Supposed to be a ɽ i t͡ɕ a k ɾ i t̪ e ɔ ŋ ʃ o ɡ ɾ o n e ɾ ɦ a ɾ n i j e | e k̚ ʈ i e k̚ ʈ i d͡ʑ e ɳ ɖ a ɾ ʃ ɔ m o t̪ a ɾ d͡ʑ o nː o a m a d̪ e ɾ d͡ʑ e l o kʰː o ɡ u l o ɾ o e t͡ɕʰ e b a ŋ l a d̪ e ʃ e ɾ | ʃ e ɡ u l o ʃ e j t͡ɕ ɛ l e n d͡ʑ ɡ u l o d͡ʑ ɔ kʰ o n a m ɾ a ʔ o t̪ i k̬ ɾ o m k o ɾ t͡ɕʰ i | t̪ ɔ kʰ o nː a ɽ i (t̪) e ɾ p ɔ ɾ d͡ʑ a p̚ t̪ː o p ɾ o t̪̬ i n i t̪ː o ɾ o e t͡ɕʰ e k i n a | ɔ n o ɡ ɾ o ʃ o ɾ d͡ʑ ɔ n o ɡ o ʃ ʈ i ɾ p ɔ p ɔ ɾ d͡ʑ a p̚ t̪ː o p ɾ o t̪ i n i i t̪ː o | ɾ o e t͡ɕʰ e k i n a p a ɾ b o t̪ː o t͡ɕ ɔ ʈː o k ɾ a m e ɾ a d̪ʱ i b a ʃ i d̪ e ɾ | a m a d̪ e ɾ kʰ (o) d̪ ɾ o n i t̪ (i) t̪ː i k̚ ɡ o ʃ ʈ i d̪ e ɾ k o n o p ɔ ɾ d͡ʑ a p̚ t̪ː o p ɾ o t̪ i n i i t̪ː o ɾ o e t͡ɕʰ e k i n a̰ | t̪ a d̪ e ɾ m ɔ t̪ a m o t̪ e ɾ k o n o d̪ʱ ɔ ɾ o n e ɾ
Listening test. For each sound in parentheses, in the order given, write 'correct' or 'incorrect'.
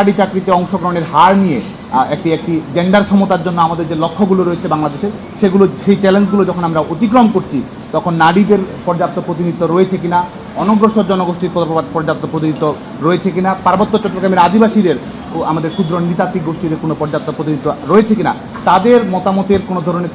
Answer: incorrect, incorrect, incorrect

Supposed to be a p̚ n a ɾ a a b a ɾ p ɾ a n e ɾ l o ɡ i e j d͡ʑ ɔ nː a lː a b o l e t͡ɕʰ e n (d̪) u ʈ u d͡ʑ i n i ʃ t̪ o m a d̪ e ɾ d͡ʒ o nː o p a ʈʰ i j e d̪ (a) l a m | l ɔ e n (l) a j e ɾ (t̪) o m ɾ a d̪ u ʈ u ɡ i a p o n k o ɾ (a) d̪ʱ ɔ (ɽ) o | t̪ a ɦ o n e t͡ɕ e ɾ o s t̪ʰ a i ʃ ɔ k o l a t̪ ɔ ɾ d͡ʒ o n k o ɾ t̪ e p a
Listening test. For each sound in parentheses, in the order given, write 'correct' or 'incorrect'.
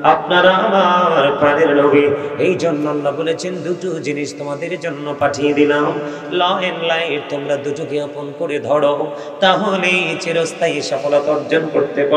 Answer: correct, incorrect, correct, correct, incorrect, correct

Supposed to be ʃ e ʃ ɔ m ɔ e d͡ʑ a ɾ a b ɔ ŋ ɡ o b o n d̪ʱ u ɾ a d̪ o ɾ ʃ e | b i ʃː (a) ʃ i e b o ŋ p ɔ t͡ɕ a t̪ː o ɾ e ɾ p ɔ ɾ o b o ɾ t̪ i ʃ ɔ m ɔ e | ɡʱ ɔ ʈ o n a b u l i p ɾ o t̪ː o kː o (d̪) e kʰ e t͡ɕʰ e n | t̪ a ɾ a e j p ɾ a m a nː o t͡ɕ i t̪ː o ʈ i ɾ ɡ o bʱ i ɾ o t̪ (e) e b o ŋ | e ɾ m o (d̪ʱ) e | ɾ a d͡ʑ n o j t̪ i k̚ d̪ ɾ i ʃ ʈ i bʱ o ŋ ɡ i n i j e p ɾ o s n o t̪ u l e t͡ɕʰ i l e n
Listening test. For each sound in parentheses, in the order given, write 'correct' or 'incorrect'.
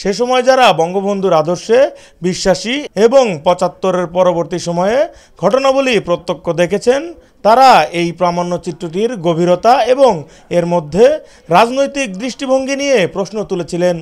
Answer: correct, correct, incorrect, incorrect

